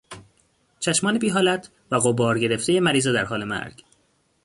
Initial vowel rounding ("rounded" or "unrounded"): unrounded